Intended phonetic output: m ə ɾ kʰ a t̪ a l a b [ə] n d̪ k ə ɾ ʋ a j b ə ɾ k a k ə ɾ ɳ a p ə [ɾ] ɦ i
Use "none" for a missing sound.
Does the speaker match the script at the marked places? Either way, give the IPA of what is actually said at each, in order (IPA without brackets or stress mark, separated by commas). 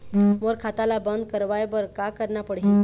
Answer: ə, ɽ